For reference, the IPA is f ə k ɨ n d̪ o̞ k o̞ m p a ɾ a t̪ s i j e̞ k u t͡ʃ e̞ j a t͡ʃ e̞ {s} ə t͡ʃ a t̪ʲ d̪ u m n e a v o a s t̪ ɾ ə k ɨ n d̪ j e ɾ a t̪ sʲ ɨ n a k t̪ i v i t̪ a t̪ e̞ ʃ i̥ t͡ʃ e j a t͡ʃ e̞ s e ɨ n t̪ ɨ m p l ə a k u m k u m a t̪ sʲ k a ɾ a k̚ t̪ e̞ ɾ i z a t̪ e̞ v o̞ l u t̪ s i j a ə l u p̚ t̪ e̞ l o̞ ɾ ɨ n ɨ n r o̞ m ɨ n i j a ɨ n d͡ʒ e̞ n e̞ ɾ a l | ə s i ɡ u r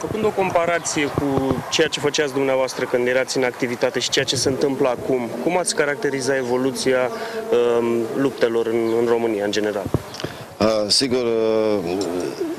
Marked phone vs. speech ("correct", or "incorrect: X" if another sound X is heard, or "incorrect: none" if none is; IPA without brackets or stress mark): incorrect: f